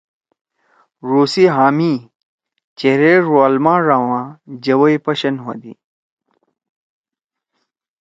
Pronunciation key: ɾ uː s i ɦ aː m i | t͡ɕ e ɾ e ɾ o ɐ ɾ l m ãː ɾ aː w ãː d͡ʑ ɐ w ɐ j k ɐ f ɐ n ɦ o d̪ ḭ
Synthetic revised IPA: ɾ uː s i ɦ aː m i | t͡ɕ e ɾ e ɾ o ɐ l m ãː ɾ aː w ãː d͡ʑ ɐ w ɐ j p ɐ ɕ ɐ n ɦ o d̪ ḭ